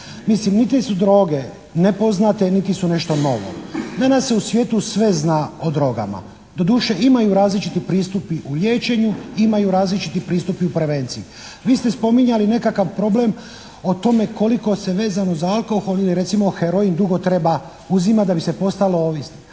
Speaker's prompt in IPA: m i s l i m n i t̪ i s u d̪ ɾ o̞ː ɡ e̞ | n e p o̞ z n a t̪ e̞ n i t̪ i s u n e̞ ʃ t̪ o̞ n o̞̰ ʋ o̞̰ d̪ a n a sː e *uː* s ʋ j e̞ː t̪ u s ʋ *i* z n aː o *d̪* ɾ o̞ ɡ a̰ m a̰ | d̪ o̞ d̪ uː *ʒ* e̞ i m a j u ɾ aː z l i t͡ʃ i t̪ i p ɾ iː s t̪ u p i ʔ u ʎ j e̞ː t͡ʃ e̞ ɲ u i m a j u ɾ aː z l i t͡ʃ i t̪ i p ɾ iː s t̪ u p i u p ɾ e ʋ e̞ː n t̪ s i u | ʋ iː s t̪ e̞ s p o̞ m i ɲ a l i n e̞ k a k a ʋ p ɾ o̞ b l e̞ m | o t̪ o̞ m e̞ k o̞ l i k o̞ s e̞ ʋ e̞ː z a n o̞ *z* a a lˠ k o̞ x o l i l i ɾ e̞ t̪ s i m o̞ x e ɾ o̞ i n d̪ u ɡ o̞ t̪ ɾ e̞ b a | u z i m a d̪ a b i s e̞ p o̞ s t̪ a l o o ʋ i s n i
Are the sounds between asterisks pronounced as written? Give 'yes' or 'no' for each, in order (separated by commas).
no, no, yes, no, yes